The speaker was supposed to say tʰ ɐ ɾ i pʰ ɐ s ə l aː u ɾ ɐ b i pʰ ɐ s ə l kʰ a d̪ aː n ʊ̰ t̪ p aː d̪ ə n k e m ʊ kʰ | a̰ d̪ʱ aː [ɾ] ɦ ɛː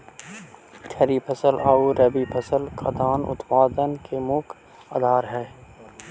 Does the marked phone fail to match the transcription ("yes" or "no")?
no